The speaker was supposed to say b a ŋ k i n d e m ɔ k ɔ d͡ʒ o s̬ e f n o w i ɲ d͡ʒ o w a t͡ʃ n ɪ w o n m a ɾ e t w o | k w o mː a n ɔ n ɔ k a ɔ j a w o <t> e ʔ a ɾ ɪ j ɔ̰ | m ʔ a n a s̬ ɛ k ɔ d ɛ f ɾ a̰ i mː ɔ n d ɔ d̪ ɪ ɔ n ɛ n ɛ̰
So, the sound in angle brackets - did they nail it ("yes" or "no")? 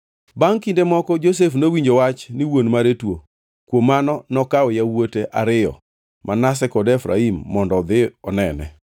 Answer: yes